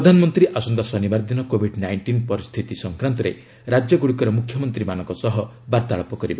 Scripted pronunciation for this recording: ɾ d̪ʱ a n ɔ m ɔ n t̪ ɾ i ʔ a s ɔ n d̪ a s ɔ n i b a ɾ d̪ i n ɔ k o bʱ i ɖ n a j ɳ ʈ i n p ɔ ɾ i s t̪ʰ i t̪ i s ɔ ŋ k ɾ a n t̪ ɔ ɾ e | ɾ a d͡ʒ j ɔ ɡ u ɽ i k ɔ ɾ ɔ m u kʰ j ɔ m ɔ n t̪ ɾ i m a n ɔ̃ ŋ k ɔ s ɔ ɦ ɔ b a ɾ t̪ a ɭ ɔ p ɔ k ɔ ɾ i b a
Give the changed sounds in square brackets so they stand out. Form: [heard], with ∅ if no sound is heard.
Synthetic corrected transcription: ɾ d̪ʱ a n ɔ m ɔ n t̪ ɾ i ʔ a s ɔ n d̪ a s ɔ n i b a ɾ d̪ i n ɔ k o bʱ i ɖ n a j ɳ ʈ i n p ɔ ɾ i s t̪ʰ i t̪ i s ɔ ŋ k ɾ a n t̪ ɔ ɾ e | ɾ a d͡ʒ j ɔ ɡ u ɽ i k ɔ ɾ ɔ m u kʰ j ɔ m ɔ n t̪ ɾ i m a n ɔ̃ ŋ k ɔ s ɔ ɦ ɔ b a ɾ t̪ a ɭ ɔ p ɔ k ɔ ɾ i b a